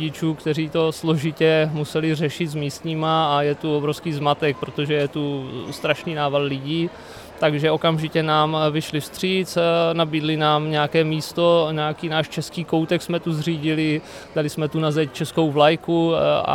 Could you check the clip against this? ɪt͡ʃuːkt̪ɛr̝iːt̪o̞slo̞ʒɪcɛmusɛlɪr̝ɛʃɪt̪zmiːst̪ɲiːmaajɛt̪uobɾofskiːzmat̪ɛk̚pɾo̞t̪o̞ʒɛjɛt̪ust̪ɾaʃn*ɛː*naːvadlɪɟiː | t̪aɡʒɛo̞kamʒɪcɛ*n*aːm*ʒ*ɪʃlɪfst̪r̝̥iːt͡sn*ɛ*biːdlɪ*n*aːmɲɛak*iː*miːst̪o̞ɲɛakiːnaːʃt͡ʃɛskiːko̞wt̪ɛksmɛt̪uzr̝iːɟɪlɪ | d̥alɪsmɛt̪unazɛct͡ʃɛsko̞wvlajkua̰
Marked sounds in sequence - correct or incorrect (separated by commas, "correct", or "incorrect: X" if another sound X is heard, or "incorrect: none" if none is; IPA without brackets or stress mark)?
incorrect: iː, correct, incorrect: v, incorrect: a, correct, incorrect: ɛː